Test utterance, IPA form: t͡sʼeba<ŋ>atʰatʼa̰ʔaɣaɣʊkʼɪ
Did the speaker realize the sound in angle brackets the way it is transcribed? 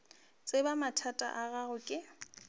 no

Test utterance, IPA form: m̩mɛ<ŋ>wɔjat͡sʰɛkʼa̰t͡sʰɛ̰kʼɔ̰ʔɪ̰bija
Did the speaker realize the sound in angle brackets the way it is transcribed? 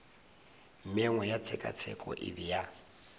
yes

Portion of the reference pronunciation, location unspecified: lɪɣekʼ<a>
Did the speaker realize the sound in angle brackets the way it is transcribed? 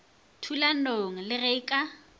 yes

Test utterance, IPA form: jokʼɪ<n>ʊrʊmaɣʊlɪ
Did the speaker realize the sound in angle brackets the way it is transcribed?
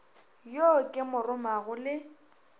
no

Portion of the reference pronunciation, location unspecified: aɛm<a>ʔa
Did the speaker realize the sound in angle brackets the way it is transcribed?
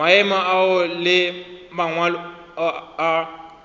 yes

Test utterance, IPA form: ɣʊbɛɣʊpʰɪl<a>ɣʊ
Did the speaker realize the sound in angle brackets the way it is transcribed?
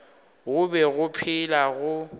yes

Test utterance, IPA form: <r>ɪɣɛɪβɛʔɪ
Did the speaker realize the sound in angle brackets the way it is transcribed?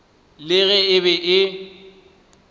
no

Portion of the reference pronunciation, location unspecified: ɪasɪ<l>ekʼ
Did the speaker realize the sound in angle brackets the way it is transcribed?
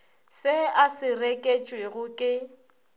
no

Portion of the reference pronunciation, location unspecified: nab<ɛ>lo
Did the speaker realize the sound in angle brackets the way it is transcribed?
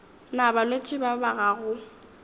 no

